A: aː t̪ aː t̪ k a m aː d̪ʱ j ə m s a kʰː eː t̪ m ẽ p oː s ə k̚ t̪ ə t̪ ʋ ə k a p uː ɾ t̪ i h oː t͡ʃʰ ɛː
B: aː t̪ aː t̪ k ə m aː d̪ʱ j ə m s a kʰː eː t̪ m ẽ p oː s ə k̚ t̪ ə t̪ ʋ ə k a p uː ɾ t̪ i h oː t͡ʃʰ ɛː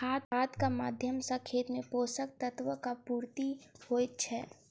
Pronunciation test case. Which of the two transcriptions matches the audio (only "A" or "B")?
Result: A